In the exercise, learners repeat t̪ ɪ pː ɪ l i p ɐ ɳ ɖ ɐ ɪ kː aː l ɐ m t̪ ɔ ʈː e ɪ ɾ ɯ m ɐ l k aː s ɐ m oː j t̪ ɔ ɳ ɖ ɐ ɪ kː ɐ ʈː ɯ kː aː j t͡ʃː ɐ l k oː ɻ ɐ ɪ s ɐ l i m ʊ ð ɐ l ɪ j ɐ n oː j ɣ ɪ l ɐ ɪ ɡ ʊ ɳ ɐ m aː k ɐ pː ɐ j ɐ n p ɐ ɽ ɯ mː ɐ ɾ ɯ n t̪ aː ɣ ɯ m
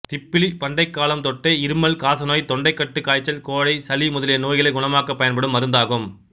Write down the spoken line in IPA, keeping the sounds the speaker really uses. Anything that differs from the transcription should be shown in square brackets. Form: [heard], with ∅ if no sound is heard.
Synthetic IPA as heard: t̪ ɪ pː ɪ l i p ɐ ɳ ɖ ɐ ɪ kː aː l ɐ m t̪ ɔ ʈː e ɪ ɾ ɯ m ɐ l k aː s ɐ [n] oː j t̪ ɔ ɳ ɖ ɐ ɪ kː ɐ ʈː ɯ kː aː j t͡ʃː ɐ l k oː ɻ ɐ ɪ s ɐ l i m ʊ ð ɐ l ɪ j ɐ n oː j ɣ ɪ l ɐ ɪ ɡ ʊ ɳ ɐ m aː k ɐ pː ɐ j ɐ n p ɐ ɽ ɯ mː ɐ ɾ ɯ n [d̪] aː ɣ ɯ m